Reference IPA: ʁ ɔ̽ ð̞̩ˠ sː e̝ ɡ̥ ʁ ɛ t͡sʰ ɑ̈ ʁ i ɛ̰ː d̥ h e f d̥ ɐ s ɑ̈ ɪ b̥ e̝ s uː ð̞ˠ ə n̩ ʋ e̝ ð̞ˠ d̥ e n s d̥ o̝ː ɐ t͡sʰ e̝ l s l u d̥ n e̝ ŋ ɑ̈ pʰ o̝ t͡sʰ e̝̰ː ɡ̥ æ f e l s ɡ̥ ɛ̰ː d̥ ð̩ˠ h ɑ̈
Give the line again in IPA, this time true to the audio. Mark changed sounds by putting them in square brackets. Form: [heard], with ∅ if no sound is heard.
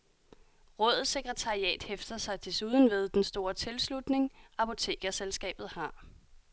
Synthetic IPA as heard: ʁ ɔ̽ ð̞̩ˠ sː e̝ ɡ̥ ʁ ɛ t͡sʰ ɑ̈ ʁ i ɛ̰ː d̥ h e f d̥ ɐ s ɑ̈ ɪ [d̥] e̝ s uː ð̞ˠ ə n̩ ʋ e̝ ð̞ˠ d̥ e n s d̥ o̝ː ɐ t͡sʰ e̝ l s l u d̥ n e̝ ŋ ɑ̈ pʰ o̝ t͡sʰ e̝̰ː ɡ̥ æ [s] e l s ɡ̥ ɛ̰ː [b̥] ð̩ˠ h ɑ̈